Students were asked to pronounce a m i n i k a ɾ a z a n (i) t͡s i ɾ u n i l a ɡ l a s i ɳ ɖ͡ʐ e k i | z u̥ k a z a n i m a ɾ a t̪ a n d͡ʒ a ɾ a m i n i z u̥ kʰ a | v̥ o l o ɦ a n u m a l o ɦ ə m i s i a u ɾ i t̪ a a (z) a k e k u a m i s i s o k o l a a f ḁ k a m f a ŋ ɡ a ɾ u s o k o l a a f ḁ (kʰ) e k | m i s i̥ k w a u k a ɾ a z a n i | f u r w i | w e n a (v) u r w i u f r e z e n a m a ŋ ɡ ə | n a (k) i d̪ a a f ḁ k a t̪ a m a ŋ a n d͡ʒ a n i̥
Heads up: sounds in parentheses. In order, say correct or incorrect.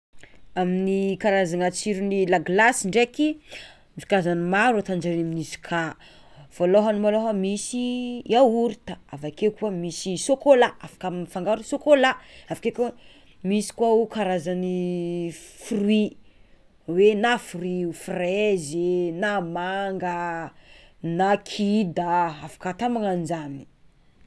incorrect: a, incorrect: v, incorrect: k, incorrect: f, incorrect: kʰ

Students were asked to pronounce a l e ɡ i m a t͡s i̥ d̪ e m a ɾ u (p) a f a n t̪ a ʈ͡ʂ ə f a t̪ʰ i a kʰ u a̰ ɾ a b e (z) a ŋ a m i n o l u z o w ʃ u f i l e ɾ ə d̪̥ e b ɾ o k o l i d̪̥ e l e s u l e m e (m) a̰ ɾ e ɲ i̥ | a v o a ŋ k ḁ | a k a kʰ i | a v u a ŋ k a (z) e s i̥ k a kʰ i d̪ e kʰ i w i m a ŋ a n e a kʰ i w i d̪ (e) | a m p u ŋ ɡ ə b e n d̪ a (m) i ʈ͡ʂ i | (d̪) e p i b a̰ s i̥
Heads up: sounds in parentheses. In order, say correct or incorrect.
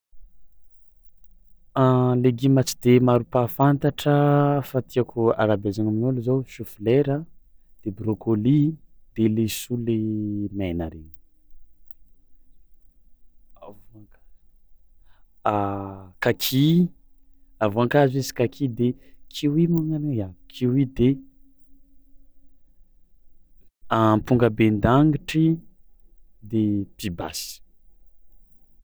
correct, correct, incorrect: n, correct, correct, incorrect: ŋ, correct

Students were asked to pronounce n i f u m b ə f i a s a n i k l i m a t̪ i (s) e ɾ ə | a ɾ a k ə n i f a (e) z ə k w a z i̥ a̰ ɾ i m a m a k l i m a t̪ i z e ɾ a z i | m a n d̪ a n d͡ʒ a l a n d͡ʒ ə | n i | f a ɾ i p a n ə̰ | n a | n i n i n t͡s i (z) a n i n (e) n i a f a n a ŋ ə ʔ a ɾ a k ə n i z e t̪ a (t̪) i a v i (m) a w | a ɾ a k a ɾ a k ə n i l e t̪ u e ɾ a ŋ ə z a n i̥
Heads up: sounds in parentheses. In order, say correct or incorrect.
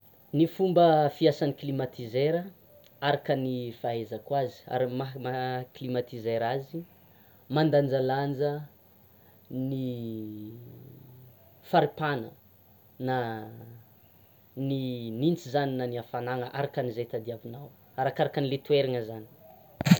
incorrect: z, correct, correct, incorrect: a, incorrect: d̪, incorrect: n

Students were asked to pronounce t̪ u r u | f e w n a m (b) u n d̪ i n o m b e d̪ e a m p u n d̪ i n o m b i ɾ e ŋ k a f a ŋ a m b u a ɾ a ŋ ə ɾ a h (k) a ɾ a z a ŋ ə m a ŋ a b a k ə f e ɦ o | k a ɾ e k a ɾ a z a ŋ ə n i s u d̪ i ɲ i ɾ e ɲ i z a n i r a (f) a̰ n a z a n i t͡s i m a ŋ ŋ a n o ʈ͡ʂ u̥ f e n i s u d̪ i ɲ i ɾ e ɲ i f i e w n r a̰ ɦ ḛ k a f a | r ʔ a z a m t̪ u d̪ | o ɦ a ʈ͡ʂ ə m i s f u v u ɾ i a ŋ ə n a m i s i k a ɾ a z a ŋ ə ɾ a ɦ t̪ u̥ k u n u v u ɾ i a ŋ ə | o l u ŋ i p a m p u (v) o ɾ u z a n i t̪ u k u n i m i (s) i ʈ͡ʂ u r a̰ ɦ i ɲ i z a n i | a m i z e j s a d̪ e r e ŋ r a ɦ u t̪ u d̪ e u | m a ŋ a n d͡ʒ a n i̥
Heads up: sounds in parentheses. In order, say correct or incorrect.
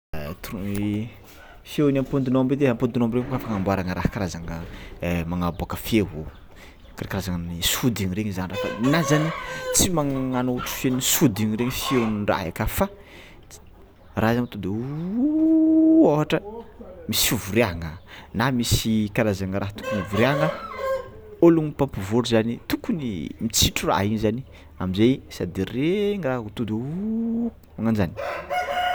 incorrect: p, correct, correct, correct, incorrect: t͡s

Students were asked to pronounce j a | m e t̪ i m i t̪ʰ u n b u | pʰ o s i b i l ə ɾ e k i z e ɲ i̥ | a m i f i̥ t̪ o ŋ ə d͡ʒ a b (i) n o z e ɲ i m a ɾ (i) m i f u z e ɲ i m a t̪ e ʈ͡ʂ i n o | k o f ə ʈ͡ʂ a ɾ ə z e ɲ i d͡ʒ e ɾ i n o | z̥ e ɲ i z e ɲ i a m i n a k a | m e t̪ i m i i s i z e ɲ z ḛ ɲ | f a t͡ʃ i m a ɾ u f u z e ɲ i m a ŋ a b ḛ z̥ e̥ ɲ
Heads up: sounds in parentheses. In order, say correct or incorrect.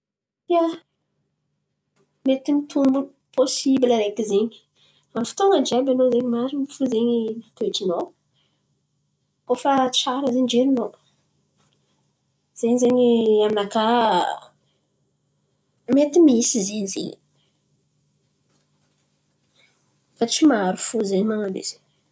incorrect: a, correct

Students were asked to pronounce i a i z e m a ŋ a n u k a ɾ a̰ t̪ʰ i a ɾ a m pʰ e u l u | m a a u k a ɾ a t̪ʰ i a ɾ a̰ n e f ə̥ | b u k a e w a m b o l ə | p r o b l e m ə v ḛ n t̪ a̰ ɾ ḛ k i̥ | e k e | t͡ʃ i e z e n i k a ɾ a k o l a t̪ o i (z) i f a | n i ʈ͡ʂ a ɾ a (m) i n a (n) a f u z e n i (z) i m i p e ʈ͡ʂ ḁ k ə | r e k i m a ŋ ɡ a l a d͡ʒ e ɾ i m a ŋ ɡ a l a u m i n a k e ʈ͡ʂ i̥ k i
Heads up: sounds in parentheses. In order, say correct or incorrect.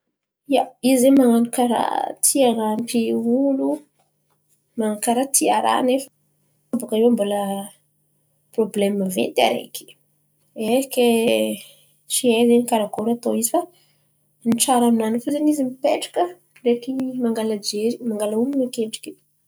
correct, correct, correct, correct

